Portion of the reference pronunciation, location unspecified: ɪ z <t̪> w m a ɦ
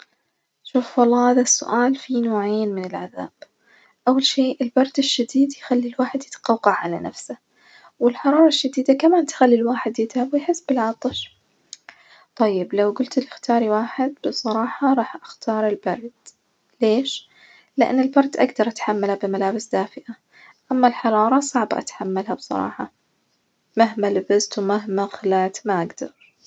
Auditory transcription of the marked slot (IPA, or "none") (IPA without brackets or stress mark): t̪